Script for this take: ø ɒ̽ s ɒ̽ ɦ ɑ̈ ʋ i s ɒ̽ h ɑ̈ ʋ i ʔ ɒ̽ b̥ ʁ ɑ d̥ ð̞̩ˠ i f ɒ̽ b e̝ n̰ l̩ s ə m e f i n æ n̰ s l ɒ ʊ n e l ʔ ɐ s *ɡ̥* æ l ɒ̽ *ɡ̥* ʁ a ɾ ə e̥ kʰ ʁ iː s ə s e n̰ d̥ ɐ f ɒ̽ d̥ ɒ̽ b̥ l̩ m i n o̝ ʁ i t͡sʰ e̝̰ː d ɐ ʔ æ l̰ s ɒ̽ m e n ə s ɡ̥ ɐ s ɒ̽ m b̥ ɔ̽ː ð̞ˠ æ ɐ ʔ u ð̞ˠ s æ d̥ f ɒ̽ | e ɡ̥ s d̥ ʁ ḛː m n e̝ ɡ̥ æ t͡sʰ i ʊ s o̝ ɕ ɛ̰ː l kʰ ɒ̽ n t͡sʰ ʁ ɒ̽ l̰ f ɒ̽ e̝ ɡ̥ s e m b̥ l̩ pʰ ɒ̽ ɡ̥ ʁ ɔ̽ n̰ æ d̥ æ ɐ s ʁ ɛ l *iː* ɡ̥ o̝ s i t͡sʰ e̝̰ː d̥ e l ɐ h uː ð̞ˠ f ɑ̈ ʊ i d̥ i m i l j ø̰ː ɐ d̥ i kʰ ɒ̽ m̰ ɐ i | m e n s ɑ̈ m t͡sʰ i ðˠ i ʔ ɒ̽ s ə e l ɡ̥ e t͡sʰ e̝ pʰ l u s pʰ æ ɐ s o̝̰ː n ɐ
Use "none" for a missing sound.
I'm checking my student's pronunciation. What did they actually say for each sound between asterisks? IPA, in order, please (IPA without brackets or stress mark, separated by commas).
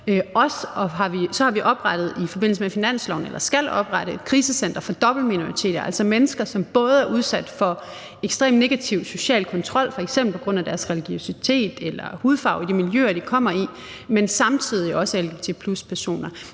ɡ̥, b̥, i